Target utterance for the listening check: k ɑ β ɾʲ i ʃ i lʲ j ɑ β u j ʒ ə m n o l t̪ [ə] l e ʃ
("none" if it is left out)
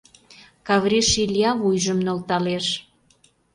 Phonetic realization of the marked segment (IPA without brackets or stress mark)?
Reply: ɑ